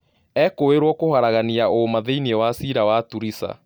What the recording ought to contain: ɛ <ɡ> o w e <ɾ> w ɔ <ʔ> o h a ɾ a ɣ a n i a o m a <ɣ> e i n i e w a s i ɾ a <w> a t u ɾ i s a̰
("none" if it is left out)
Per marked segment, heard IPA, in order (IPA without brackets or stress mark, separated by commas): k, ɾ, k, ð, w